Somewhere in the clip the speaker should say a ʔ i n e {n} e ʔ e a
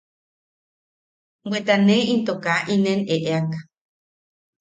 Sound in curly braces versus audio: correct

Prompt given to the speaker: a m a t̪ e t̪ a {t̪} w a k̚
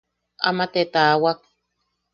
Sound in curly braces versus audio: incorrect: none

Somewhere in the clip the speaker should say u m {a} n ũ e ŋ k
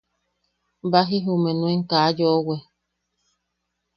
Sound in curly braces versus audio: incorrect: e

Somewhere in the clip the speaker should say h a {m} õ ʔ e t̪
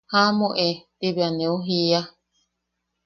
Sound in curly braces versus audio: correct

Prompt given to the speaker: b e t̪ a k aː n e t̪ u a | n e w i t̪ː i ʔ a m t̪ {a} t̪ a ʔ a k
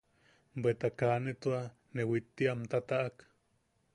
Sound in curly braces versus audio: correct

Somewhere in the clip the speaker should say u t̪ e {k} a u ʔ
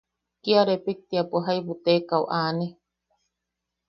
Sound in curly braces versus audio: correct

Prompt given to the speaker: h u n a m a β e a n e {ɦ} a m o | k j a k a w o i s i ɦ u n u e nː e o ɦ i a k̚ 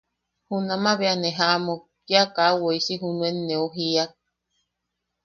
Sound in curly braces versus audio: correct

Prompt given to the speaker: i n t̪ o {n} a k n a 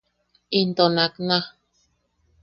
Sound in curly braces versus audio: correct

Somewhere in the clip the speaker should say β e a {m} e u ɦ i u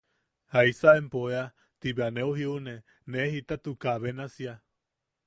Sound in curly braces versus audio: incorrect: n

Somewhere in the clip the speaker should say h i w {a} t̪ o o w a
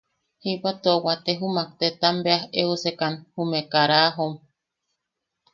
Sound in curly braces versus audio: correct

